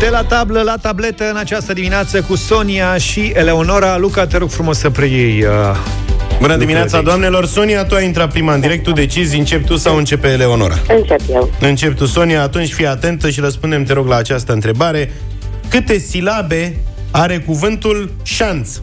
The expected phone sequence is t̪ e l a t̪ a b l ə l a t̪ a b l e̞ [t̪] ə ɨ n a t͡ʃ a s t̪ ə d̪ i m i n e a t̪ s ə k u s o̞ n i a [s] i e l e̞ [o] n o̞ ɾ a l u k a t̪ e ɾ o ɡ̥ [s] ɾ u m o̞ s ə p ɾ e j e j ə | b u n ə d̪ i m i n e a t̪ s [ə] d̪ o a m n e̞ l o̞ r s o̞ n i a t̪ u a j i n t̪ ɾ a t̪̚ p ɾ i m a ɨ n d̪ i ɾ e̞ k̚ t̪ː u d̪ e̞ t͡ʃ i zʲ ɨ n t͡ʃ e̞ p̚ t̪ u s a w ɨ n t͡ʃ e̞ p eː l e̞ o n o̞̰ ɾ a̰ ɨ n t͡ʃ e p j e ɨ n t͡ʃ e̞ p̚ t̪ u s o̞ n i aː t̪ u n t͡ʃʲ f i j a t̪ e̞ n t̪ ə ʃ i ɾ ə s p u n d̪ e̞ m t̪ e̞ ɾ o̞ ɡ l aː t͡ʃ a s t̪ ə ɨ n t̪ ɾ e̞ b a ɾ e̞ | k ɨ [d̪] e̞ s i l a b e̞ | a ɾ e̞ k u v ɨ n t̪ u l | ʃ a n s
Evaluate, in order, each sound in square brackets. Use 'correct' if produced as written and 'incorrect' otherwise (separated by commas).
correct, incorrect, correct, incorrect, incorrect, incorrect